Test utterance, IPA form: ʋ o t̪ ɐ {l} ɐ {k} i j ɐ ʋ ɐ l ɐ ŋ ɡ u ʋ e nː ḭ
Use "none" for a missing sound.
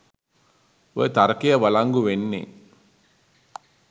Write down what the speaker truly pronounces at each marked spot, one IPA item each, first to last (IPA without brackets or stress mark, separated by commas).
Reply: ɾ, k